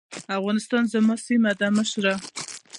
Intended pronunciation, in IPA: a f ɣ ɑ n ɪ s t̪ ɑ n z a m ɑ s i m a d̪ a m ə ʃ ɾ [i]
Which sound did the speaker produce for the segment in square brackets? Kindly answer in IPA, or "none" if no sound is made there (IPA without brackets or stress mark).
a